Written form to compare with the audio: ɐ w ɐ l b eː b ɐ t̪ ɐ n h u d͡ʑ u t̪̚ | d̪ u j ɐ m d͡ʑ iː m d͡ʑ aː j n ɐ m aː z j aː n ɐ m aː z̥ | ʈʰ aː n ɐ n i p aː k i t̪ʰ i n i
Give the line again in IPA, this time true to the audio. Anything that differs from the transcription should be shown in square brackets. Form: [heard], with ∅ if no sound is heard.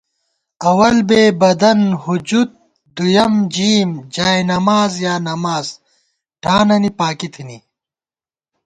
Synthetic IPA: ɐ w ɐ l b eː b ɐ [d̪] ɐ n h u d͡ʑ u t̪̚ | d̪ u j ɐ m d͡ʑ iː m d͡ʑ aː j n ɐ m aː z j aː n ɐ m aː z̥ | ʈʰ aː n ɐ n i p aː k i t̪ʰ i n i

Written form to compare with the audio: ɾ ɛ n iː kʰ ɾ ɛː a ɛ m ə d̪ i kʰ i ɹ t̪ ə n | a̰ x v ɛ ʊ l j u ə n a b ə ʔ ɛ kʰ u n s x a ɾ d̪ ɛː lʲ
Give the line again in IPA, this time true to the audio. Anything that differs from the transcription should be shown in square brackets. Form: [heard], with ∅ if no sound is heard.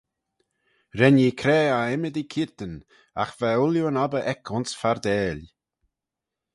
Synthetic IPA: ɾ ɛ n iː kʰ ɾ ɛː a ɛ m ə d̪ i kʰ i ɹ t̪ ə n | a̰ x v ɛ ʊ l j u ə n a b ə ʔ ɛ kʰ [ʊ] n s [f] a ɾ d̪ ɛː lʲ

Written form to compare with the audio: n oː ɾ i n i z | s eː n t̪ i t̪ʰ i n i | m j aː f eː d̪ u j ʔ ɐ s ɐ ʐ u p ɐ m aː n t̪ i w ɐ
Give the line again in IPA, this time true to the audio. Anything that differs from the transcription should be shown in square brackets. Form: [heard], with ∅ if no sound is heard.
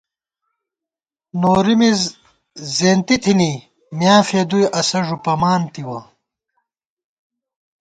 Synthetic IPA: n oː ɾ i [m] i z | [z] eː n t̪ i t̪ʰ i n i | m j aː f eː d̪ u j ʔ ɐ s ɐ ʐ u p ɐ m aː n t̪ i w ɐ

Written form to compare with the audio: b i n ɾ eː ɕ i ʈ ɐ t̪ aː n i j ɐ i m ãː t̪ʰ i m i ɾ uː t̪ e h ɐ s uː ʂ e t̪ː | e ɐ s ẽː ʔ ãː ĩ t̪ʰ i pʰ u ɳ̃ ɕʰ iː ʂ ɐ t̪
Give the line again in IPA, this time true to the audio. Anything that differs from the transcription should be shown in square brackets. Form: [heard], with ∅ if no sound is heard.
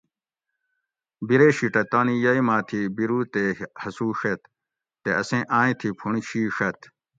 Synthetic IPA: b i [∅] ɾ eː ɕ i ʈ ɐ t̪ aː n i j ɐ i m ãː t̪ʰ i [b] i ɾ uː t̪ e h ɐ s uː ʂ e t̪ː | e ɐ s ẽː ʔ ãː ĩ t̪ʰ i pʰ u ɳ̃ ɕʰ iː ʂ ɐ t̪

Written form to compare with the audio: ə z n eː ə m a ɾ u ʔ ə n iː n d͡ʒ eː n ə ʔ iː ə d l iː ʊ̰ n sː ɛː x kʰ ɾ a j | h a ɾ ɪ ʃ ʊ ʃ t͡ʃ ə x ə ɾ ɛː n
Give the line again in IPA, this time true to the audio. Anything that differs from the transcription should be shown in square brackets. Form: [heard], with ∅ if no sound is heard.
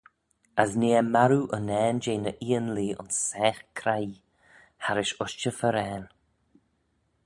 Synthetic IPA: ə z n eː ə m a ɾ u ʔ ə n [ɛː] n d͡ʒ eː n ə ʔ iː ə [n] l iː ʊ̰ n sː ɛː x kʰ ɾ a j | h a ɾ ɪ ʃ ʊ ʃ t͡ʃ ə [f] ə ɾ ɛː n

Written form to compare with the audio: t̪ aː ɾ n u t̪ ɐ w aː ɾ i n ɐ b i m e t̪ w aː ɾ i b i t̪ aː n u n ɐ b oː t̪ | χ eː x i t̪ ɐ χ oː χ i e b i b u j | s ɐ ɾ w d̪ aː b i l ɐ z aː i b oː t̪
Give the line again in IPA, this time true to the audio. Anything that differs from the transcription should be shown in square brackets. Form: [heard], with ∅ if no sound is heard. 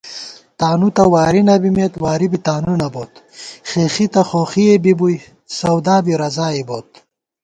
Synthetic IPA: t̪ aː [∅] n u t̪ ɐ w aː ɾ i n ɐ b i m e t̪ w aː ɾ i b i t̪ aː n u n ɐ b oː t̪ | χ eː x i t̪ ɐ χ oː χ i e b i b u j | s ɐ [∅] w d̪ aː b i [ɾ] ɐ z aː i b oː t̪

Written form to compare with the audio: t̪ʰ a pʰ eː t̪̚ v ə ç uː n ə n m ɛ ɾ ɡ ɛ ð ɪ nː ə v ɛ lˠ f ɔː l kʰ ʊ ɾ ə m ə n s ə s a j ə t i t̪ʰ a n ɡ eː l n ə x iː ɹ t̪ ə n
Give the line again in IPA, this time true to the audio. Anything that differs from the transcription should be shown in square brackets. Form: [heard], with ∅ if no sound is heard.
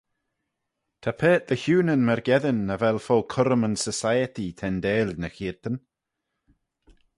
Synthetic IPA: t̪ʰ a pʰ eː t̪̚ [ð] ə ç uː n ə n m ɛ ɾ ɡ ɛ ð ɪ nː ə v ɛ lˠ f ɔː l kʰ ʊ ɾ ə m ə n s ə s a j ə t i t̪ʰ [ɛ] n [d] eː l n ə x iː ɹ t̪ ə n

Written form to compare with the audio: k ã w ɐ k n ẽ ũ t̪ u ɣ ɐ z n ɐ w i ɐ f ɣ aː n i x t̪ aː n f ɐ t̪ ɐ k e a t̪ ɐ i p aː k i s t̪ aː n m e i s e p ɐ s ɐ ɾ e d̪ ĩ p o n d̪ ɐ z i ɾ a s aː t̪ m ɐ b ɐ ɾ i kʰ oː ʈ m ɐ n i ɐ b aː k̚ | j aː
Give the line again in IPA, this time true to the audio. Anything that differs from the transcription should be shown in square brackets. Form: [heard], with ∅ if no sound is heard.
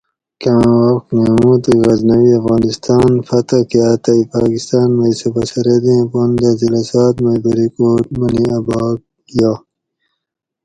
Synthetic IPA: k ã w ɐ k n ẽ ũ t̪ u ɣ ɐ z n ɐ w i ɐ f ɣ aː n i [s] t̪ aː n f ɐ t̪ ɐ k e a t̪ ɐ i p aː k i s t̪ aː n m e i s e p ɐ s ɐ ɾ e d̪ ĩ p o n d̪ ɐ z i [l] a s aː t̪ m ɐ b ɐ ɾ i [k] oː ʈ m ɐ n i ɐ b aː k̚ | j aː

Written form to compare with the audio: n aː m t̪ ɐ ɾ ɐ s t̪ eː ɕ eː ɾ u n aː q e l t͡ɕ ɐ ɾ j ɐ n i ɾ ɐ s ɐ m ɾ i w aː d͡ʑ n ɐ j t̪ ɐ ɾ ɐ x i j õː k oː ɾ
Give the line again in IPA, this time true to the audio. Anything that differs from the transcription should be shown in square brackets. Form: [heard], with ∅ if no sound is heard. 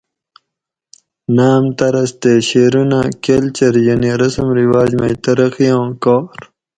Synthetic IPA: n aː m t̪ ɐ ɾ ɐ s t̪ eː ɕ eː ɾ u n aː [k] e l t͡ɕ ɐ ɾ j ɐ n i ɾ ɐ s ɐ m ɾ i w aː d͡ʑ [m] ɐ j t̪ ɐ ɾ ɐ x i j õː k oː ɾ

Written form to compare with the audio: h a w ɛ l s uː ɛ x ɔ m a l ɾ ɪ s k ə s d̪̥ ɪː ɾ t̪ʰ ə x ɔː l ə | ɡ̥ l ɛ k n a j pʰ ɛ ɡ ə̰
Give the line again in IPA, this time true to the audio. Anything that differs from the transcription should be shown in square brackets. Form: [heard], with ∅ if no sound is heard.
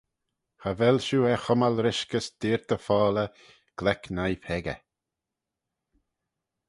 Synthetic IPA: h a [v] ɛ l [ʃ] uː ɛ x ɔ m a l ɾ ɪ [ʃ] k ə s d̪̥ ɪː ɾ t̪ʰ ə [f] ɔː l ə | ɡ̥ l ɛ k n a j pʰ ɛ ɡ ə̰

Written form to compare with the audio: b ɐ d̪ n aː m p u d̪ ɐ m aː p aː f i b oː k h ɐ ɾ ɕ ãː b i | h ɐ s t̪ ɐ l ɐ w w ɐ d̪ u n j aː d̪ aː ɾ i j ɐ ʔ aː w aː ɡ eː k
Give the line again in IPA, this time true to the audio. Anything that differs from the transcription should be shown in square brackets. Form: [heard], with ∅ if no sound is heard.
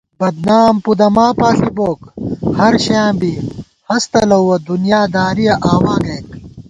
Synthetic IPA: b ɐ d̪ n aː m p u d̪ ɐ m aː p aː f i b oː k h ɐ ɾ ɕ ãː b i | h ɐ s t̪ ɐ l ɐ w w ɐ d̪ u n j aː d̪ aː ɾ i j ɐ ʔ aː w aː ɡ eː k

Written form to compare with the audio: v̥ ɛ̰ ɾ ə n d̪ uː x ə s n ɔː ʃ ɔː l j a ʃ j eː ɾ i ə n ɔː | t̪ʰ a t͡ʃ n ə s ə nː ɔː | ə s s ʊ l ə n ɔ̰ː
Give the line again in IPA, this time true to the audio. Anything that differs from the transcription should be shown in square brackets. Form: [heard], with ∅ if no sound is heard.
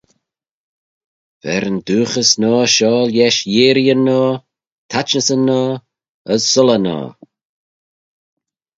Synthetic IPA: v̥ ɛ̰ ɾ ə n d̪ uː x ə s n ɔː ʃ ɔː l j [ɛ] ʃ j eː ɾ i ə n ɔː | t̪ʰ a t͡ʃ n ə s ə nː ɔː | ə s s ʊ l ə n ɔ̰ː

